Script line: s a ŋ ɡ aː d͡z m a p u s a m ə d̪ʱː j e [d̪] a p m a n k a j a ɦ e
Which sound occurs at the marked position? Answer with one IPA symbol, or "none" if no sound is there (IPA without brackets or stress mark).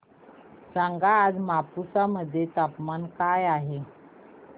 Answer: t̪